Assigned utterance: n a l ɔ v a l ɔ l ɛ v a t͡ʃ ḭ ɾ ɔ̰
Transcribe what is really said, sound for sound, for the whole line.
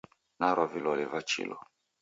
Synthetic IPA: n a ɾ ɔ v i l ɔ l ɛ v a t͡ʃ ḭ l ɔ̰